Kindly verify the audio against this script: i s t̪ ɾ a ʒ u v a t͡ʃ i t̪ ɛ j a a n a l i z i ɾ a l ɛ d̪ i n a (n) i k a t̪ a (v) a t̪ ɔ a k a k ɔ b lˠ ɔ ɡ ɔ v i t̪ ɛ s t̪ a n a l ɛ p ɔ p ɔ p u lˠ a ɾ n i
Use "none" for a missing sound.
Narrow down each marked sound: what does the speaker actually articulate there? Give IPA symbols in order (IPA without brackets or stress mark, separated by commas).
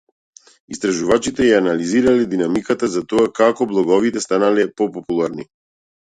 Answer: m, z